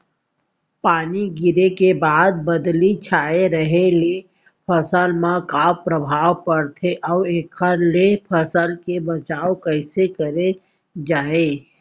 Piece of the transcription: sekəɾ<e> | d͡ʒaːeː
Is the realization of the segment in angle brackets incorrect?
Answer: no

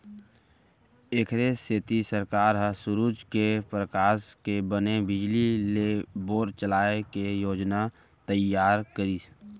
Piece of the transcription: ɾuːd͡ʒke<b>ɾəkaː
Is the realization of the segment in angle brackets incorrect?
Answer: yes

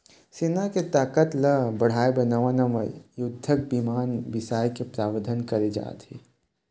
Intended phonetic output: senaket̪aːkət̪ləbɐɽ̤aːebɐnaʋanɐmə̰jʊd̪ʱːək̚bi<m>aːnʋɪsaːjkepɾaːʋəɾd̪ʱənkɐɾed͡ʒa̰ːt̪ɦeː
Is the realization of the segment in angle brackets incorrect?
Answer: no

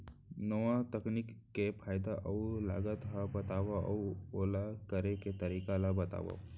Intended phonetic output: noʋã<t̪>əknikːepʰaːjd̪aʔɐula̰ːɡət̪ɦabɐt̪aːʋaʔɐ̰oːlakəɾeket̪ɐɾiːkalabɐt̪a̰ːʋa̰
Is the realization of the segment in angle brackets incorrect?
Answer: no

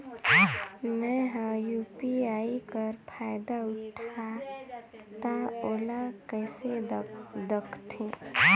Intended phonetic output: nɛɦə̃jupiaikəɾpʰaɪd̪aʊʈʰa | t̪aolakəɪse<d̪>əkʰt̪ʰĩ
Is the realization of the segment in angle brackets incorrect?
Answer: no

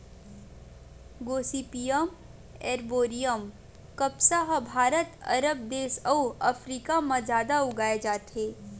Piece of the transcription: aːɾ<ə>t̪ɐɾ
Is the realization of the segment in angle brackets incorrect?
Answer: no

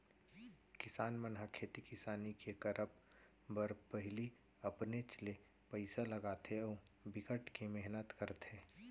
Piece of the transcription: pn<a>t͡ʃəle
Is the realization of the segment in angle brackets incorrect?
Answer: yes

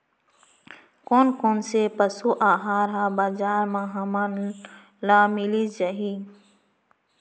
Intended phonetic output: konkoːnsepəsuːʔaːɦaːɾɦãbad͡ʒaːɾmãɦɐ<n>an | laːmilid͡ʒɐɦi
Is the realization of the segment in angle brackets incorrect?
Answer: yes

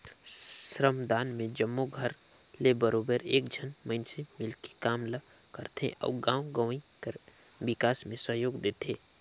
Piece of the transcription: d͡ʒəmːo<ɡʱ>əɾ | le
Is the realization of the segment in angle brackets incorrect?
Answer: no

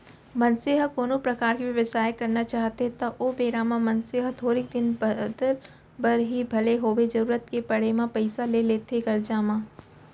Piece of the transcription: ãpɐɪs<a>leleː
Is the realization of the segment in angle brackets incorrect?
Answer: no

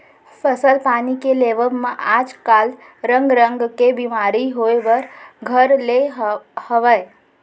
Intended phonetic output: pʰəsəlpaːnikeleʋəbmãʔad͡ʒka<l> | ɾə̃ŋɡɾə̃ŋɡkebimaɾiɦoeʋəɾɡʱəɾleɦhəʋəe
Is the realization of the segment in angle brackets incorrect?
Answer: no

